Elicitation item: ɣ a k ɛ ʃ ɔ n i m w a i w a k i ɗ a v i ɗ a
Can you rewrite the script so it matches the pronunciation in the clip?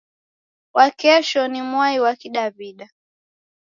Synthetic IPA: w a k ɛ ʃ ɔ n i m w a i w a k i ɗ a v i ɗ a